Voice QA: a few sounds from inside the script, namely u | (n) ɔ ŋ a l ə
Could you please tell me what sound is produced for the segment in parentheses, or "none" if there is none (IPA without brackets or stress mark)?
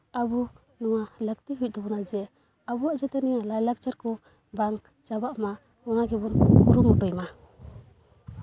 n